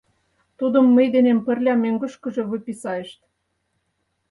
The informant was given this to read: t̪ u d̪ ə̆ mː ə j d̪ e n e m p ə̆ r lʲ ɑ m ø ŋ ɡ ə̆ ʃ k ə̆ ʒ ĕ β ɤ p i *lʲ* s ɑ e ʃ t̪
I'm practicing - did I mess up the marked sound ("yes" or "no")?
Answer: yes